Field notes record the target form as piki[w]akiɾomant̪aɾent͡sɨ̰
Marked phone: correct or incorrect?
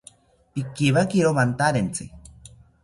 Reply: incorrect: β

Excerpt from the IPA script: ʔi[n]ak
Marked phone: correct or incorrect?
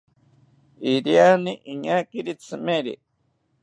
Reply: incorrect: ɲ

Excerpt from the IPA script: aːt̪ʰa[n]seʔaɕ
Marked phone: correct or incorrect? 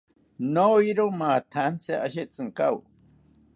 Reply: correct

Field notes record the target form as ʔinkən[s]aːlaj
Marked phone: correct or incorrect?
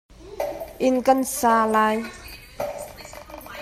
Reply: correct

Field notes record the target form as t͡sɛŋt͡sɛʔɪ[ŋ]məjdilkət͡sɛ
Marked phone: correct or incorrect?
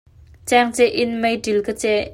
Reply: incorrect: n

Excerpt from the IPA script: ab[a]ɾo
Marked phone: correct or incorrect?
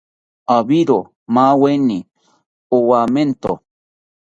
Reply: incorrect: i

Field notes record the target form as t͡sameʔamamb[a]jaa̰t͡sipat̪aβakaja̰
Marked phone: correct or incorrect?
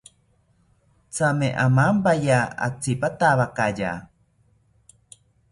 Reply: correct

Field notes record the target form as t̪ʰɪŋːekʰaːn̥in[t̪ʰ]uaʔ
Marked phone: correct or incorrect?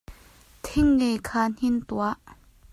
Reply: incorrect: t̪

